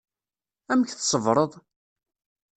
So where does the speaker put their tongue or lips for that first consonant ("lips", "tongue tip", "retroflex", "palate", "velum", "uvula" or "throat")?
lips